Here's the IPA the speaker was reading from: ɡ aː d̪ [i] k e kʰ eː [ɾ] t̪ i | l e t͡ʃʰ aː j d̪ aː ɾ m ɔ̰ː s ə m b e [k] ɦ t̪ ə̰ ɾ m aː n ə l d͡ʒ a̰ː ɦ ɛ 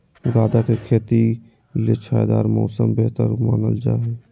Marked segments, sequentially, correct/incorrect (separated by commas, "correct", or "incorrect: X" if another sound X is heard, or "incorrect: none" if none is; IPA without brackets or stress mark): incorrect: a, incorrect: none, incorrect: none